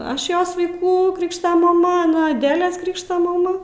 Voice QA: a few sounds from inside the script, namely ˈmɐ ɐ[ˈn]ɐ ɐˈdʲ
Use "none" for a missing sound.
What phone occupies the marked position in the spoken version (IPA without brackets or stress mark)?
n